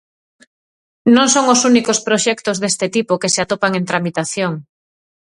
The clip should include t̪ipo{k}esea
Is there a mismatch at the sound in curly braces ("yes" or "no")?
no